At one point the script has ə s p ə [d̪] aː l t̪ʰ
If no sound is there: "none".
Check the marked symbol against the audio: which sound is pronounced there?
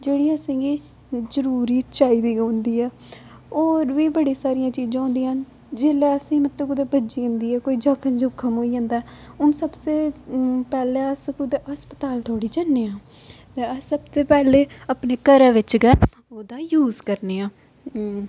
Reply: t̪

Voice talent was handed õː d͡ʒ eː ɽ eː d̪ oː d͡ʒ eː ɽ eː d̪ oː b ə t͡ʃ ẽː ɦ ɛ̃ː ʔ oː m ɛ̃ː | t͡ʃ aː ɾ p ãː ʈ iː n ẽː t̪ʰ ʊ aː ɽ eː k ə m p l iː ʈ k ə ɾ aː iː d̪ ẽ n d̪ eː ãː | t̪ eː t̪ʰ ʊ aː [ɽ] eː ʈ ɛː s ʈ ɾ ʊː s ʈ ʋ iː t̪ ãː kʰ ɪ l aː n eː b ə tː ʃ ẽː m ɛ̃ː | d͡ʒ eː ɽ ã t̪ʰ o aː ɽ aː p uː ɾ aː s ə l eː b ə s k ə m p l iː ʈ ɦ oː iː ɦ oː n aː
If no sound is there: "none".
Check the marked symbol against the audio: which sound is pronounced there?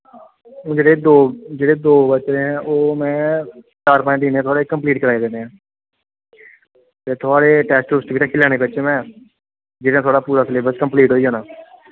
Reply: ɽ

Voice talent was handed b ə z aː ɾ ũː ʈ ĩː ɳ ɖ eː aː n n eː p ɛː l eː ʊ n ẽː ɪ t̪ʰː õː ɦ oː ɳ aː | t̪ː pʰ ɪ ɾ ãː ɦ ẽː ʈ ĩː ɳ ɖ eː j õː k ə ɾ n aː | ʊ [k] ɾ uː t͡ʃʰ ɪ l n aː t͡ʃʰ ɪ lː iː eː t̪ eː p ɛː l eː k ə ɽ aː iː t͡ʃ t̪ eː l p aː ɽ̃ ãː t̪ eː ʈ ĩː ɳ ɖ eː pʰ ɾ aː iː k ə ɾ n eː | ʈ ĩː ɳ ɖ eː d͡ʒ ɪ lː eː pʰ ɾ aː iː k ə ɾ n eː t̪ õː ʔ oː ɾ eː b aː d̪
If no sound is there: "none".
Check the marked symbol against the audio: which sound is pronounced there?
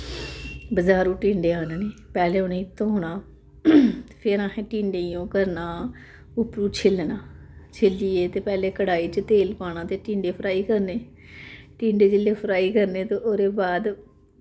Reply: p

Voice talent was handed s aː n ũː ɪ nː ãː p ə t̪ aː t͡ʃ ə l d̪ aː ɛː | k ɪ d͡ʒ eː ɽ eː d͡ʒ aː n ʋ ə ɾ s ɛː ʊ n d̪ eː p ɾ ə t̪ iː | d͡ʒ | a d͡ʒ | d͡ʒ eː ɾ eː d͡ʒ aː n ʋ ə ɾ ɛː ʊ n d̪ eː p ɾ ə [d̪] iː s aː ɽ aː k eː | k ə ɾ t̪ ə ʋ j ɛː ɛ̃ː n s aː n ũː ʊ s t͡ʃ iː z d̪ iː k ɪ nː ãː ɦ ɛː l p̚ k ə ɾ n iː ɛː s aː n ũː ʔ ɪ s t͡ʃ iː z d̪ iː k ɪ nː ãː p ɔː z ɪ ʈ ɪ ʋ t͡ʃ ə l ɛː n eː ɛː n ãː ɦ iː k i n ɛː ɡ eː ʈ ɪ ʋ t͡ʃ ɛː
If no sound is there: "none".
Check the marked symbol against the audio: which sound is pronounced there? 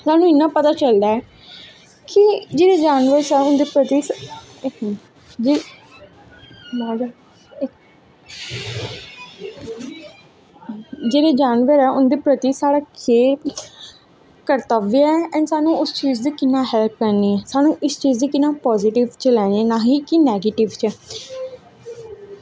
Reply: t̪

